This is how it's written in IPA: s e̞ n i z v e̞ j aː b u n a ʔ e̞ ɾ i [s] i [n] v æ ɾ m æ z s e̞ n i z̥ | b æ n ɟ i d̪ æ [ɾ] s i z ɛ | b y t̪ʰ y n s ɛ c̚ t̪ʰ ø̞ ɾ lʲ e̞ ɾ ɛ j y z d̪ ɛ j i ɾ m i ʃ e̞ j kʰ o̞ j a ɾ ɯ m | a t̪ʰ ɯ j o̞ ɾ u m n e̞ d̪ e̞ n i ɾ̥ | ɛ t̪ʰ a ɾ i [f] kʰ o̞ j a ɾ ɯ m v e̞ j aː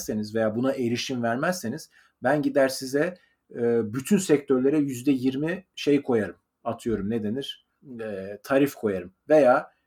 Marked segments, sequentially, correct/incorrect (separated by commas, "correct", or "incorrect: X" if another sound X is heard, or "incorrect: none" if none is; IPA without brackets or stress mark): incorrect: ʃ, incorrect: m, correct, correct